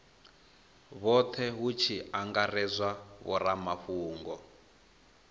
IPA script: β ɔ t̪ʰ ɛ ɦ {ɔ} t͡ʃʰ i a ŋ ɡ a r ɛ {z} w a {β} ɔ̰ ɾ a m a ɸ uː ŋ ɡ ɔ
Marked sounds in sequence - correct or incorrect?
incorrect, correct, correct

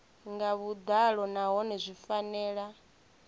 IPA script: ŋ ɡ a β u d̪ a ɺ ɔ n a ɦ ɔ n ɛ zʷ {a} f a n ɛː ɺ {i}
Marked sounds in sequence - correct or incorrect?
incorrect, incorrect

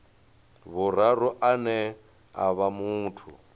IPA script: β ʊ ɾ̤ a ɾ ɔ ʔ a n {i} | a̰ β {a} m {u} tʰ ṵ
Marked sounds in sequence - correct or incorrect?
incorrect, correct, incorrect

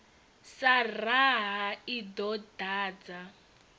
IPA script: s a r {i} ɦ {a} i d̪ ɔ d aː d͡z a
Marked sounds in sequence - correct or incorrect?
incorrect, correct

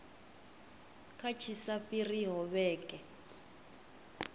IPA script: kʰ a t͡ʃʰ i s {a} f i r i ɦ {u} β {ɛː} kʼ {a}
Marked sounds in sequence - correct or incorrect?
correct, incorrect, correct, incorrect

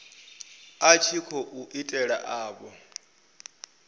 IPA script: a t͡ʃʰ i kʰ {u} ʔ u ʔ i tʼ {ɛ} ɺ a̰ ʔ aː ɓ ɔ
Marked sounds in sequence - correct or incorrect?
incorrect, correct

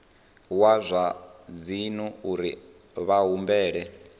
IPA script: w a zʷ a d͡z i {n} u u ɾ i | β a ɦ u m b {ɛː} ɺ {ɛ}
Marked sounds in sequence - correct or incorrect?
correct, correct, correct

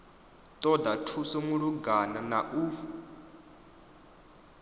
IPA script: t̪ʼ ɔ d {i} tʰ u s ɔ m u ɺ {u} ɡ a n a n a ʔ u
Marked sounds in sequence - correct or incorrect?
incorrect, correct

